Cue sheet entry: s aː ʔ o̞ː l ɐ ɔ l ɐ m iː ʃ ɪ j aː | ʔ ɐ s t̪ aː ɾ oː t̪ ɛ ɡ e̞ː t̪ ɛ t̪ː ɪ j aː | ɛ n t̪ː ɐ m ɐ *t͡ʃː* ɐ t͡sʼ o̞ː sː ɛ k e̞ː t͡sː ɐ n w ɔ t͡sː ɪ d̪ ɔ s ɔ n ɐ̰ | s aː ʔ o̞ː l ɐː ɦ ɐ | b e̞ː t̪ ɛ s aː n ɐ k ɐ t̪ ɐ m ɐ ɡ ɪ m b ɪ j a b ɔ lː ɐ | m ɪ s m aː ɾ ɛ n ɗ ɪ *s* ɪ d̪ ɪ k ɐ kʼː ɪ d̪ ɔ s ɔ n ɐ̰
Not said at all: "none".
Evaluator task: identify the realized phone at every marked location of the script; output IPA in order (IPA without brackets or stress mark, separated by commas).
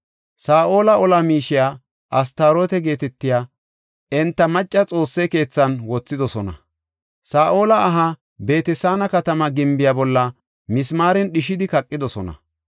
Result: t͡ʃʼː, ʃ